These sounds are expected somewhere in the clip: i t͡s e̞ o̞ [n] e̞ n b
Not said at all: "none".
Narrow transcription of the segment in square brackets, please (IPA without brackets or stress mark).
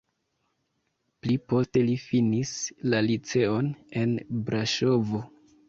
n